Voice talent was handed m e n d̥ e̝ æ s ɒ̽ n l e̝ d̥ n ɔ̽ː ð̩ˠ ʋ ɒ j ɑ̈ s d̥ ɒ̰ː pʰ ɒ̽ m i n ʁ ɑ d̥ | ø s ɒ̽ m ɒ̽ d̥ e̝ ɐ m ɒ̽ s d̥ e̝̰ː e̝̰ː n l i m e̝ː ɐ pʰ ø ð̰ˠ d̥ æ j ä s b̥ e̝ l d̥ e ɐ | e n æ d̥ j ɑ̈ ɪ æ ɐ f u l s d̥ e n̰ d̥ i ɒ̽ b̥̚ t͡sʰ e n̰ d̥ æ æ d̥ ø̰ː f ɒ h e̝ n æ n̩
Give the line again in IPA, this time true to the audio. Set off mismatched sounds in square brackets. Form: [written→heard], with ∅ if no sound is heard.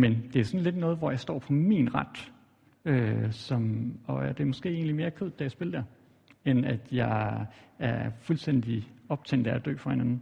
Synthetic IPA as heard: m e n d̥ e̝ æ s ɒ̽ n l e̝ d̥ n ɔ̽ː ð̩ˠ ʋ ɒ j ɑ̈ s d̥ ɒ̰ː pʰ ɒ̽ m i n ʁ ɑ d̥ | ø s ɒ̽ m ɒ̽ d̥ e̝ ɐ m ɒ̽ s [d̥→ɡ̥] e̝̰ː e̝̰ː n l i m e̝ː ɐ [pʰ→kʰ] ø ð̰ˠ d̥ æ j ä s b̥ e̝ l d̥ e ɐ | e n æ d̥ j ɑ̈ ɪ æ ɐ f u l s d̥ e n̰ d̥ i ɒ̽ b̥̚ t͡sʰ e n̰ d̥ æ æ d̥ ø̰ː f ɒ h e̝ n æ n̩